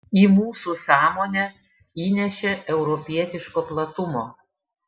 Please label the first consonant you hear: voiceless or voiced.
voiced